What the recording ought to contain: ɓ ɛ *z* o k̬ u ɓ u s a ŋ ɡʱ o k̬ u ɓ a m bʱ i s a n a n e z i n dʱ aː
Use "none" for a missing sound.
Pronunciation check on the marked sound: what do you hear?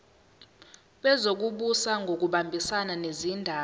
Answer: z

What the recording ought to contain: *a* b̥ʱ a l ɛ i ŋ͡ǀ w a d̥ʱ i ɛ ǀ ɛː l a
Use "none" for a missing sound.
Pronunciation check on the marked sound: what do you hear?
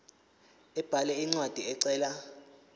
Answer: ɛ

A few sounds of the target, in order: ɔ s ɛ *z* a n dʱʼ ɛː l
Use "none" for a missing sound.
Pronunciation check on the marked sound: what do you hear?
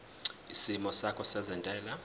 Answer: z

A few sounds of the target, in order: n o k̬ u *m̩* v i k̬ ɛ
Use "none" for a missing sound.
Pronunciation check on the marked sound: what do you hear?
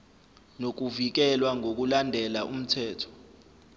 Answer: none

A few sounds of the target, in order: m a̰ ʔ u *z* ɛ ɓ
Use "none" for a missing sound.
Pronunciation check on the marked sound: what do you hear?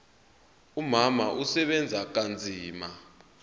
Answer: s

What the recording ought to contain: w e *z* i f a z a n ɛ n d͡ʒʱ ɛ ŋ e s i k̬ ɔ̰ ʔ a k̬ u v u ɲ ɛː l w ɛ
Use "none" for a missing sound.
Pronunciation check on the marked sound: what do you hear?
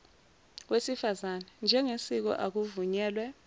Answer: s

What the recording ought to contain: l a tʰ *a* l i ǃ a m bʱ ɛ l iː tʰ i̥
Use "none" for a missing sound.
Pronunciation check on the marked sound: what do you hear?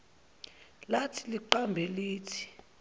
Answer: i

